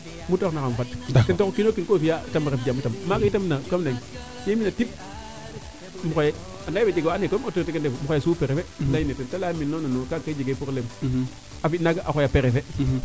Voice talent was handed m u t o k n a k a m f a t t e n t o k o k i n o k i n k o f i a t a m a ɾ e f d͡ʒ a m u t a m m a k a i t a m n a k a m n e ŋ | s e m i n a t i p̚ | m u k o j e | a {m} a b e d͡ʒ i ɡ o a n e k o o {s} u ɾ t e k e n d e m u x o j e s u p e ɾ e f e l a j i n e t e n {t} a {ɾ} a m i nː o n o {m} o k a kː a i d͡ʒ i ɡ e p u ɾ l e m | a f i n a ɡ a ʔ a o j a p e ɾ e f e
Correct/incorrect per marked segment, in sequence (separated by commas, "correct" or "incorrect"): incorrect, incorrect, correct, incorrect, incorrect